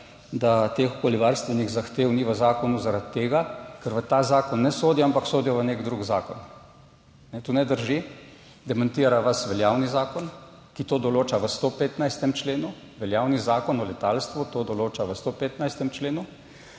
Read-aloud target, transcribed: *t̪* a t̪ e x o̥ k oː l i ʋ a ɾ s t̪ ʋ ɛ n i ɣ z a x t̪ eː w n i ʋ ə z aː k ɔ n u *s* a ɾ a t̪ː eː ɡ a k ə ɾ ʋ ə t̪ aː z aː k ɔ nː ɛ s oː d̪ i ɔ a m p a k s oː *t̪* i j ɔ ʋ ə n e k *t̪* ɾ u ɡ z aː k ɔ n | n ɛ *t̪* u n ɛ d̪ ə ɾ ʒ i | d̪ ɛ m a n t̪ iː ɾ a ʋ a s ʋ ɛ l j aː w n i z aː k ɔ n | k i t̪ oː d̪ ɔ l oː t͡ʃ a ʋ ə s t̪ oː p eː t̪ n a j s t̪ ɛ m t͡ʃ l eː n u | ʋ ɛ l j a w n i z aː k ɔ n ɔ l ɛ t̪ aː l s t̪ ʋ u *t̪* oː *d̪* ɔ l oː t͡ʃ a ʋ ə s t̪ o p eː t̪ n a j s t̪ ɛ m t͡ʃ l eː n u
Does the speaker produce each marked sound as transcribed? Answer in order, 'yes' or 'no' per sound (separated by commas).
no, no, no, no, yes, yes, yes